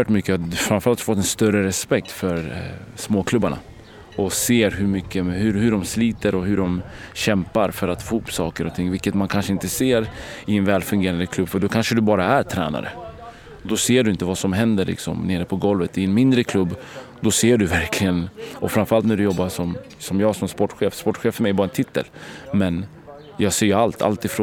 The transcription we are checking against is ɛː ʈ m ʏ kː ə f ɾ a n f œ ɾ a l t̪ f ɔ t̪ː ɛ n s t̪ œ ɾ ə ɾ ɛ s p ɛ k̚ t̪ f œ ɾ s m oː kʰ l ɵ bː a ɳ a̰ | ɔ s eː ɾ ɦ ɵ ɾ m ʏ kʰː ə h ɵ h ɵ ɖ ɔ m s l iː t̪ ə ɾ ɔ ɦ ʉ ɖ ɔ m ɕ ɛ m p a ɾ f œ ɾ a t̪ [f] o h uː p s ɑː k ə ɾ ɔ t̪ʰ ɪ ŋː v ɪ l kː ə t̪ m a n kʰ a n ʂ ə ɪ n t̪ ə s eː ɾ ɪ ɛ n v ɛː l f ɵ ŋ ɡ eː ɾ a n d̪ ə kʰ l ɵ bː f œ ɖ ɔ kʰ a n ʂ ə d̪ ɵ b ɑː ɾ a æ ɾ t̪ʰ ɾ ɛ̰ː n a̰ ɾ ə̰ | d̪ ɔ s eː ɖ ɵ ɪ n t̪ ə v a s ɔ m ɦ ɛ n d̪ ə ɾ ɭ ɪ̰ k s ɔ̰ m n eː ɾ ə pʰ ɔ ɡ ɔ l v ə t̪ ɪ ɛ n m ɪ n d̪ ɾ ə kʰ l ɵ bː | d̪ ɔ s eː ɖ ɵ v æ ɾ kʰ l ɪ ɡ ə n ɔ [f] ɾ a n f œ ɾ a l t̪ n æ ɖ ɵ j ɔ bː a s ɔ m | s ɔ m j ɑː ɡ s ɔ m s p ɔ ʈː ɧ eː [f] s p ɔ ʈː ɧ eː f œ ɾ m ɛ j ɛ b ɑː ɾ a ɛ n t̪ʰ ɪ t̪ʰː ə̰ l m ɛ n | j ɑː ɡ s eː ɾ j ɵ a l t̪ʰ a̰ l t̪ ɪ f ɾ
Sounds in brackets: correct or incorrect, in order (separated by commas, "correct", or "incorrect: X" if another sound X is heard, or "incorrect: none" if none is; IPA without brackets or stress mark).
correct, correct, correct